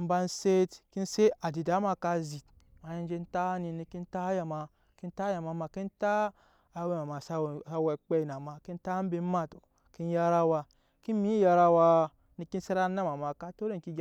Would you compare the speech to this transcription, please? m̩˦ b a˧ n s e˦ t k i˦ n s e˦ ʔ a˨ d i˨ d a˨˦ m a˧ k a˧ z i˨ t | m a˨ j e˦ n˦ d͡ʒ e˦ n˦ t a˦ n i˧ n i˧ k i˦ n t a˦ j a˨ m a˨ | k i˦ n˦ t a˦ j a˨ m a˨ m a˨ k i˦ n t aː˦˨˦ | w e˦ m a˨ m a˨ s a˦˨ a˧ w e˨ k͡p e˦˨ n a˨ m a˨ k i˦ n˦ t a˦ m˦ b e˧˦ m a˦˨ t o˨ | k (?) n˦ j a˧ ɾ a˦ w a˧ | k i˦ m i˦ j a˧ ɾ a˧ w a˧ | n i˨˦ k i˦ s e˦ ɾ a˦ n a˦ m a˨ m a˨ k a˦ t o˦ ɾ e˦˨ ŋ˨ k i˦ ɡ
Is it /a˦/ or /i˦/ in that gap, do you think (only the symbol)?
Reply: i˦